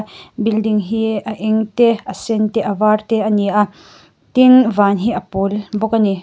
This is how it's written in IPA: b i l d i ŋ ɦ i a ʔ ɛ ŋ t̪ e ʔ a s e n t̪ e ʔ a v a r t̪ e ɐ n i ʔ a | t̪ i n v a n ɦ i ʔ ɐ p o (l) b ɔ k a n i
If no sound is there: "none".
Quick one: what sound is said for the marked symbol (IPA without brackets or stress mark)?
l